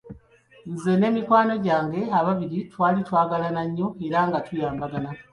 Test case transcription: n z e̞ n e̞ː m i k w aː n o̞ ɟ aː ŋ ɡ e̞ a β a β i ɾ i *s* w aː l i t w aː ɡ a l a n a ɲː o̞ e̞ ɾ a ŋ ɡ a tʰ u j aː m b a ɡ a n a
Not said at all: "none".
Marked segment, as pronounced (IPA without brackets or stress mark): t